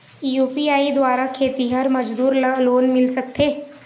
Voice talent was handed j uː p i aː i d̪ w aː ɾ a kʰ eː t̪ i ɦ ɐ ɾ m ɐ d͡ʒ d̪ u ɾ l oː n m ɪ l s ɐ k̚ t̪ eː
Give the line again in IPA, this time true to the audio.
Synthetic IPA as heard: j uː p i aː i d̪ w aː ɾ a kʰ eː t̪ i ɦ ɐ ɾ m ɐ d͡ʒ d̪ uː ɾ l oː n m ɪ l s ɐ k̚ t̪ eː